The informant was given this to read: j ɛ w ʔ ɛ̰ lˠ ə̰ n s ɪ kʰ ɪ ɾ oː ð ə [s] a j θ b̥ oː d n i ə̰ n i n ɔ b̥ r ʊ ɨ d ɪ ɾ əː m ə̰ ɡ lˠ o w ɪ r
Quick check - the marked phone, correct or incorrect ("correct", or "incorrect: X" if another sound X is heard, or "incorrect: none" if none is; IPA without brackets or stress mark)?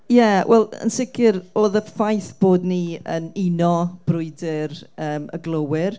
incorrect: f